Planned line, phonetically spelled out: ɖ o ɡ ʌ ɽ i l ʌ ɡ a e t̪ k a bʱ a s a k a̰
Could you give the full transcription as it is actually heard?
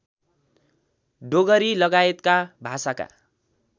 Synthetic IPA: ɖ o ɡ ʌ ɾ i l ʌ ɡ a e t̪ k a bʱ a s a k a̰